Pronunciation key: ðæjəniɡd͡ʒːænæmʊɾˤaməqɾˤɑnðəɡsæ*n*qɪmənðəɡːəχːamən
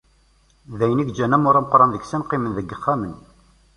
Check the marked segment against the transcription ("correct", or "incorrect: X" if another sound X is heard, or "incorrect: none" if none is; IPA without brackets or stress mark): correct